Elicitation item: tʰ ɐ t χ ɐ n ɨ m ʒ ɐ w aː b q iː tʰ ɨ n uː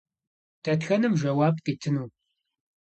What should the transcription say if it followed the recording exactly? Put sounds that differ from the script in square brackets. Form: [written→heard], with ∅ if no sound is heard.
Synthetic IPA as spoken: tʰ ɐ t [χ→x] ɐ n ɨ m ʒ ɐ w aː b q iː tʰ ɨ n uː